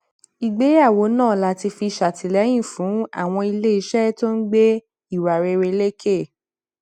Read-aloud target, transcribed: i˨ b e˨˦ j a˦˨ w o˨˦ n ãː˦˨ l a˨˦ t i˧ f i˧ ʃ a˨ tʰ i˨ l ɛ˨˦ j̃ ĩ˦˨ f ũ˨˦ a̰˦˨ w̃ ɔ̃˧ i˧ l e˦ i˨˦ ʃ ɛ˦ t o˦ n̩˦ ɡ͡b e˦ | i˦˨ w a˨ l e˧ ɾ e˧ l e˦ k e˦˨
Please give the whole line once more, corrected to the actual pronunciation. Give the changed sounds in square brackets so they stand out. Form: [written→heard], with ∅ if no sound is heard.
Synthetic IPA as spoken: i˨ [b→ɡ͡b] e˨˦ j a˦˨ w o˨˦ n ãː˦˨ l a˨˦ t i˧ f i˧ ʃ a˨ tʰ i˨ l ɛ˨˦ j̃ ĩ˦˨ f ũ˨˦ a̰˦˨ w̃ ɔ̃˧ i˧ l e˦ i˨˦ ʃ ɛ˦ t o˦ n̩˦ ɡ͡b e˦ | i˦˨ w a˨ [l→ɾ] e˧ ɾ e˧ l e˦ k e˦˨